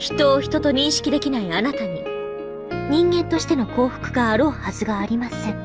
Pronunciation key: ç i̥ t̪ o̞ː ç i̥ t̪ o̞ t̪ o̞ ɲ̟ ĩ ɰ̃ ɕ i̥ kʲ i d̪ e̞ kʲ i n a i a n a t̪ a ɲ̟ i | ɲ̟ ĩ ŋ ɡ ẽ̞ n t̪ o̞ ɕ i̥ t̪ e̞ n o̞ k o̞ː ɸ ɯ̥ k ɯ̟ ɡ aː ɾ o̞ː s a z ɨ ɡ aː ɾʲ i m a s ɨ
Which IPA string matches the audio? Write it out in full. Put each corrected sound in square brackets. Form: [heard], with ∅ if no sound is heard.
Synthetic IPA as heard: ç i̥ t̪ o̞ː ç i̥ t̪ o̞ t̪ o̞ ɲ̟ ĩ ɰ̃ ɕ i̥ kʲ i d̪ e̞ kʲ i n a i a n a t̪ a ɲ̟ i | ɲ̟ ĩ ŋ ɡ ẽ̞ n t̪ o̞ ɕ i̥ t̪ e̞ n o̞ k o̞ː ɸ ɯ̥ k ɯ̟ ɡ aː ɾ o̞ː [h] a z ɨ ɡ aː ɾʲ i m a s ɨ